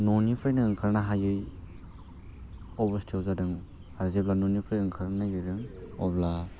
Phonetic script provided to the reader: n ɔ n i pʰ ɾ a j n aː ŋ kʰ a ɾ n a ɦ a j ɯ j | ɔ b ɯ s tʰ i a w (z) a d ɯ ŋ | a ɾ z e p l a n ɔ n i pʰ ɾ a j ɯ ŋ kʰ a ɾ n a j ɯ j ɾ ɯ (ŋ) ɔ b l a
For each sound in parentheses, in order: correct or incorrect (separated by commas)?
correct, correct